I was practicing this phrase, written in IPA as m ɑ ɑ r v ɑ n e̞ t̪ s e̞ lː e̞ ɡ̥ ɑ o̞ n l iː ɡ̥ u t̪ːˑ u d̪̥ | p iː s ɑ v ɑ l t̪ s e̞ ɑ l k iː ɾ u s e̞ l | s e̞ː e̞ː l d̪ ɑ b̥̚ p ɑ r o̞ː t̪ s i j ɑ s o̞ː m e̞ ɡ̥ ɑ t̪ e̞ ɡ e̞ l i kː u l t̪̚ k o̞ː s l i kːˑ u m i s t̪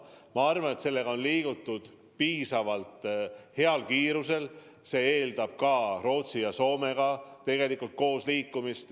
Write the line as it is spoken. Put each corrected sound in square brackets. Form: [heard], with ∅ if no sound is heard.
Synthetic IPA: m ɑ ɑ r v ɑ n e̞ t̪ s e̞ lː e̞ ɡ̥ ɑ o̞ n l iː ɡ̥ u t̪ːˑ u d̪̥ | p iː s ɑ v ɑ l t̪ [h] e̞ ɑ l k iː ɾ u s e̞ l | s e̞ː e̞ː l d̪ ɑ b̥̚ [k] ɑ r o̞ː t̪ s i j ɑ s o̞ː m e̞ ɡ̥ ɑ t̪ e̞ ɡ e̞ l i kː u l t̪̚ k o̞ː s l [iː] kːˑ u m i s t̪